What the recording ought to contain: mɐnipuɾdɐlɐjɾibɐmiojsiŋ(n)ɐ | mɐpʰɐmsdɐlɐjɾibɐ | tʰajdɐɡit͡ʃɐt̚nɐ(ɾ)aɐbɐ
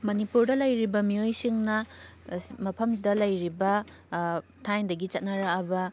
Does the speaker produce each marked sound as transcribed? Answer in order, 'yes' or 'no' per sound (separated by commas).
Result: yes, yes